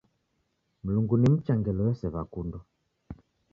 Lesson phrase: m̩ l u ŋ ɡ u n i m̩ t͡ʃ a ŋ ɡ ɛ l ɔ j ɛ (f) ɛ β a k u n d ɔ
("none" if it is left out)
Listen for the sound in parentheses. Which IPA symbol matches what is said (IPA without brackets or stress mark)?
s